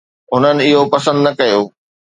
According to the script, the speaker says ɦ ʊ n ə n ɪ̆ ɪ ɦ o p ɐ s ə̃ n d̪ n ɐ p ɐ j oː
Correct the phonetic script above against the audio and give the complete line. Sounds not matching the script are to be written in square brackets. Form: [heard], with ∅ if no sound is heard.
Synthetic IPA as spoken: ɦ ʊ n ə n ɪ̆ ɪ ɦ o p ɐ s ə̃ n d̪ n ɐ [k] ɐ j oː